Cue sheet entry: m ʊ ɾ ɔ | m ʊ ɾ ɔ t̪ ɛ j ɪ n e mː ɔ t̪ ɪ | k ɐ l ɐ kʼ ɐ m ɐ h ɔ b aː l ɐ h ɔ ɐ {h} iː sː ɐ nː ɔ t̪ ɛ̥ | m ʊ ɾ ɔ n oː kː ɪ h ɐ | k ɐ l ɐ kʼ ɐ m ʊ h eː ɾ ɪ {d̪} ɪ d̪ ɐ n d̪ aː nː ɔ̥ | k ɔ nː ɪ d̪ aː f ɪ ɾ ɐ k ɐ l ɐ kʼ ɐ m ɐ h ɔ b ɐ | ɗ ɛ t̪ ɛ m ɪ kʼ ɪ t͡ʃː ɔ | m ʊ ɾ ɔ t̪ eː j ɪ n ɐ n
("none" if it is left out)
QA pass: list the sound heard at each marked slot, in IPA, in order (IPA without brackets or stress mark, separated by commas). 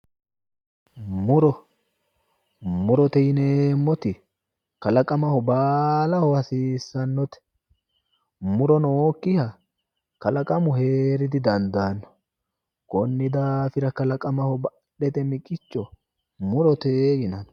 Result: s, d̪